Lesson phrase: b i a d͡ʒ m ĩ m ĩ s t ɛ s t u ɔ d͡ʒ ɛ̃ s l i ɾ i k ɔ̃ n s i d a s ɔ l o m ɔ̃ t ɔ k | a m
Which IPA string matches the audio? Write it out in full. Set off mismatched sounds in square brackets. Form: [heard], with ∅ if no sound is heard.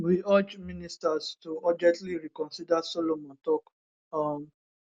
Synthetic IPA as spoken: [w] i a d͡ʒ m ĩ [n] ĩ s t [a] s t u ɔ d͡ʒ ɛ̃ [t] l i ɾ i k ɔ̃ n s i d a s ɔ l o m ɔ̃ t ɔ k | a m

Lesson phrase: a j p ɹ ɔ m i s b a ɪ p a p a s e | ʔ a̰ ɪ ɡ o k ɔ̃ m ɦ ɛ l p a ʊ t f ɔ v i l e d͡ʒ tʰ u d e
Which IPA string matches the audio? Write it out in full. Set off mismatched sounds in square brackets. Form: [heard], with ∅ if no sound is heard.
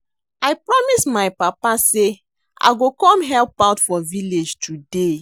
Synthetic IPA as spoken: a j p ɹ ɔ m i s [m] a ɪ p a p a s e | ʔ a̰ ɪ ɡ o k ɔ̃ m ɦ ɛ l p a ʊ t f ɔ v i l e d͡ʒ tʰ u d e

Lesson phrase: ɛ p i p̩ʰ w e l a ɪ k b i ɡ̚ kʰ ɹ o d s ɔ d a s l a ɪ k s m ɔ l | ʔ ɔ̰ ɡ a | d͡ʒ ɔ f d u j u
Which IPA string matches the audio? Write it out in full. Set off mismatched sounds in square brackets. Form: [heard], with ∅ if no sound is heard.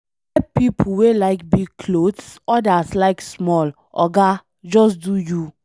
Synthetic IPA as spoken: ɛ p i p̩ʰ w e l a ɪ k b i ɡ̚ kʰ [l] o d s ɔ d a s l a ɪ k s m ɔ l | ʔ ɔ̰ ɡ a | d͡ʒ ɔ [s] d u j u

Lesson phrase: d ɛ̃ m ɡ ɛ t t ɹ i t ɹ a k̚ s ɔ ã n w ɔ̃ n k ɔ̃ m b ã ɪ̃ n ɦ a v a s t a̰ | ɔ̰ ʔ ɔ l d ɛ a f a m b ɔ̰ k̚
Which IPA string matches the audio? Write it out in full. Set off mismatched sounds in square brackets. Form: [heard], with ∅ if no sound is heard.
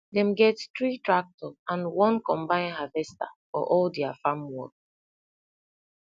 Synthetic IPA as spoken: d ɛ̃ m ɡ ɛ t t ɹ i t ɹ a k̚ [t] ɔ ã n w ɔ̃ n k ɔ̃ m b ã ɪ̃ n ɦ a v [ɛ] s t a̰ | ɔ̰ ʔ ɔ l d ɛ a f a m [w] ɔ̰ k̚

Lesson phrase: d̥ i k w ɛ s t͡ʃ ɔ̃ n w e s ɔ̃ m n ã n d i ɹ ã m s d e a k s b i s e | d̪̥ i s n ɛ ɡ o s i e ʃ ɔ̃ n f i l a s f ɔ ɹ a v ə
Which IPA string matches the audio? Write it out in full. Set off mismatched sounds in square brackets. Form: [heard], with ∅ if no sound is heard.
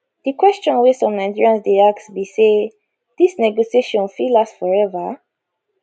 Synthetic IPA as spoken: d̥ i k w ɛ s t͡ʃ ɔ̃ n w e s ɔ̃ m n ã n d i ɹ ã [n] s d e a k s b i s e | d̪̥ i s n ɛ ɡ o s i e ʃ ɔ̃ n f i l a s f ɔ ɹ [ɛ] v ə

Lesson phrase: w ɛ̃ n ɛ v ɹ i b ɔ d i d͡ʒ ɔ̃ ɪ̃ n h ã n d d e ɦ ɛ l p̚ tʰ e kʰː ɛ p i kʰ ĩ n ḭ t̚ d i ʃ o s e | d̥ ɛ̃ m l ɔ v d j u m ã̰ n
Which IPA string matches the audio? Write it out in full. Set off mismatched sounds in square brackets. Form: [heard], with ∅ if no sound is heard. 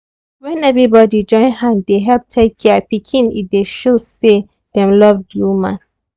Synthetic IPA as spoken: w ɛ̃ n ɛ v ɹ i b ɔ d i d͡ʒ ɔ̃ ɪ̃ n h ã n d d e ɦ ɛ l p̚ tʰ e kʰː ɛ p i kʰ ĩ n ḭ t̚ d [e] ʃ o s e | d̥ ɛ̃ m l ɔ v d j u m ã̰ n

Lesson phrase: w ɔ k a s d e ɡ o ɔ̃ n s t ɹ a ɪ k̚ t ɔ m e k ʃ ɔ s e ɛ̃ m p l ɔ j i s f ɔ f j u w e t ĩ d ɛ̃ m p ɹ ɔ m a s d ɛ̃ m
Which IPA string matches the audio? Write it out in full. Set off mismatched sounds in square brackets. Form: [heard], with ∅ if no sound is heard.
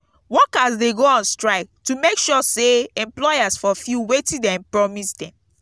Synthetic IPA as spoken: w ɔ k a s d e ɡ o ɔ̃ n s t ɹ a ɪ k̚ t [u] m e k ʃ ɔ s e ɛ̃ m p l ɔ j [a] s f ɔ f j u w e t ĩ d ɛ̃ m p ɹ ɔ m [i] s d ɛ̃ m

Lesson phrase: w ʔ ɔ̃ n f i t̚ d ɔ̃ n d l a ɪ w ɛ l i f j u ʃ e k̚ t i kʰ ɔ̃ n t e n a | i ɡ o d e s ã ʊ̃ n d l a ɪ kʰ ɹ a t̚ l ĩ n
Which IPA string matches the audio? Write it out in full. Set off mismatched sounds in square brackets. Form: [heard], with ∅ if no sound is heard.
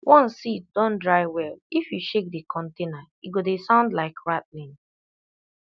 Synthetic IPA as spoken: w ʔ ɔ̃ n [s] i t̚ d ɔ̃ n d [ɹ] a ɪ w ɛ l i f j u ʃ e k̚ [d] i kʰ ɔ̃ n t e n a | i ɡ o d e s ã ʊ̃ n d l a ɪ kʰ ɹ a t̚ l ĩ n

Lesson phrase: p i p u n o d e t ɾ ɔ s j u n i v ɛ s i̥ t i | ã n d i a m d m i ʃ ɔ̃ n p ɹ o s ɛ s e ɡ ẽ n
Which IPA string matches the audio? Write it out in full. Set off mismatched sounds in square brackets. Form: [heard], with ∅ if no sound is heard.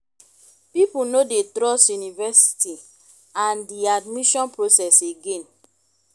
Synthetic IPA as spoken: p i p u n o d e t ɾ ɔ s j u n i v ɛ s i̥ t i | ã n d i a [∅] d m i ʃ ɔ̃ n p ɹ o s ɛ s e ɡ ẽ n

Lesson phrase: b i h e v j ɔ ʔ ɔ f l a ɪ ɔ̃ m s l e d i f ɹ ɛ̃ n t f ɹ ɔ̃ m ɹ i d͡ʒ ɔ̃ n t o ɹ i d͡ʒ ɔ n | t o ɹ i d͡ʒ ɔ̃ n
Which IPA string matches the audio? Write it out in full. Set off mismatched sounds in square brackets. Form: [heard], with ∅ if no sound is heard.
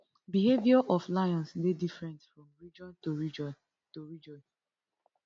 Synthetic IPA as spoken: b i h e v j ɔ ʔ ɔ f l a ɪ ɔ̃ [n] s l e d i f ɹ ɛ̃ n t f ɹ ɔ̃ m ɹ i d͡ʒ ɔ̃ n t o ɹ i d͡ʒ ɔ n | t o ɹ i d͡ʒ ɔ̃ n

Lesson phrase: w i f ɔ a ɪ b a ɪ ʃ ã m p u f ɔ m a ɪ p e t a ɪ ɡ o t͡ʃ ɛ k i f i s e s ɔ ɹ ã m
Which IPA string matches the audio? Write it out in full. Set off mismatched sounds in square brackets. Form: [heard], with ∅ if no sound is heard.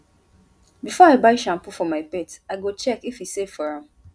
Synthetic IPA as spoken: [b] i f ɔ a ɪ b a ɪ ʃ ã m p u f ɔ m a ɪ p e t a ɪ ɡ o t͡ʃ ɛ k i f i s e [f] ɔ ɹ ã m

